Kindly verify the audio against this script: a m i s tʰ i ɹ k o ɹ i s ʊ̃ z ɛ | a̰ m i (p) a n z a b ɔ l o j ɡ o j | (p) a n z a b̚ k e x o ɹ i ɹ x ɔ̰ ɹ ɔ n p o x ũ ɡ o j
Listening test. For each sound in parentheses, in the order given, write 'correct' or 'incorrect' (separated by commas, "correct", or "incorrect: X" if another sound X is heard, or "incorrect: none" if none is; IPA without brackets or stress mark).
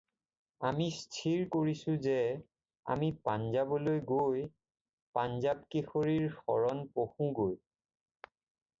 correct, correct